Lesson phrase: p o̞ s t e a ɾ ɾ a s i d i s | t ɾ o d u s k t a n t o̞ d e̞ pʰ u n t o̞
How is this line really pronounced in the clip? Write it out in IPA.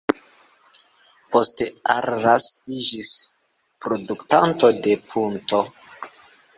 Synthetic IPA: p o̞ s t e a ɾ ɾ a s i d͡ʒ i s | p ɾ o d u k t a n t o̞ d e̞ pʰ u n t o̞